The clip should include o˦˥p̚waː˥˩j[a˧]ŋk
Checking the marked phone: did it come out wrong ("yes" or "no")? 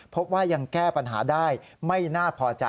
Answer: no